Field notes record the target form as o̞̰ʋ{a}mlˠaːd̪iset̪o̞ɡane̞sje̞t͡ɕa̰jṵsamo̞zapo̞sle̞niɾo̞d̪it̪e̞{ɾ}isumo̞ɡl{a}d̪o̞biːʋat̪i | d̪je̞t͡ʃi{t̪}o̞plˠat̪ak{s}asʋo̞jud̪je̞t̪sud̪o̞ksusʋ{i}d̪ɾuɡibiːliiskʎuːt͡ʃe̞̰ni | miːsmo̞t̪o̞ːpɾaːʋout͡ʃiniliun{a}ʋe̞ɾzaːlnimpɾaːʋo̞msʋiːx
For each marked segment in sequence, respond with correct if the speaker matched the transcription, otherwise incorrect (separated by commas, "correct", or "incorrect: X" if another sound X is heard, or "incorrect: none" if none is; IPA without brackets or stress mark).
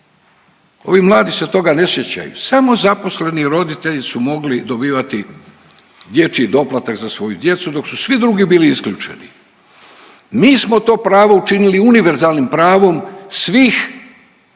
incorrect: i, incorrect: ʎ, incorrect: i, incorrect: d̪, incorrect: z, correct, incorrect: i